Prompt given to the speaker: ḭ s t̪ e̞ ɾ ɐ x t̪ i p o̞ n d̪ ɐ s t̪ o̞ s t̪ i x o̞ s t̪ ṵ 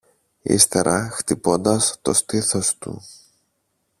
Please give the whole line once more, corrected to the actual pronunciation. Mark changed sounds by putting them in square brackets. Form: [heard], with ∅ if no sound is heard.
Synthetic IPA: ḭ s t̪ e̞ ɾ ɐ x t̪ i p o̞ n d̪ ɐ s t̪ o̞ s t̪ i [θ] o̞ s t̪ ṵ